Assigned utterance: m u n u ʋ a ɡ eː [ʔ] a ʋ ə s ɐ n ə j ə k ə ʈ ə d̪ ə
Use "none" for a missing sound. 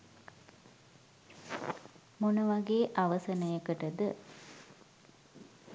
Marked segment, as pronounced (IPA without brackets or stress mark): ʔ